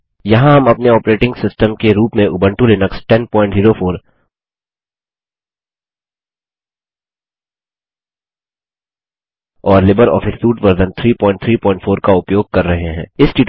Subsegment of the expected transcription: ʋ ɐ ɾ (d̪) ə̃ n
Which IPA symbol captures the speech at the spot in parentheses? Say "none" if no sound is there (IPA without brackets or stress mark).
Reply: d̪